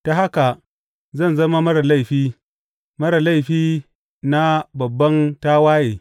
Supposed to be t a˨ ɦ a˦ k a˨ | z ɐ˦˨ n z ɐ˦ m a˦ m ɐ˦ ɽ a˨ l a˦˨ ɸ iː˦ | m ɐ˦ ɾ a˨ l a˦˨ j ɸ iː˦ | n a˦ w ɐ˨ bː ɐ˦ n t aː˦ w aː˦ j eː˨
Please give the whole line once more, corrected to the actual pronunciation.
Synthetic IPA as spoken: t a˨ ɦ a˦ k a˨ | z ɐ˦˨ n z ɐ˦ m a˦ m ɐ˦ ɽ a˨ l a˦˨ ɸ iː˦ | m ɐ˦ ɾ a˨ l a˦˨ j ɸ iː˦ | n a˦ b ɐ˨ bː ɐ˦ n t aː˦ w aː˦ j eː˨